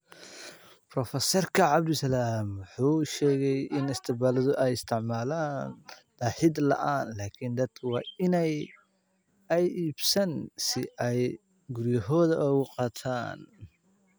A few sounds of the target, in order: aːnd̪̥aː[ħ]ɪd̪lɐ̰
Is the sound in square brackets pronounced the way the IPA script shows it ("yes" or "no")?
yes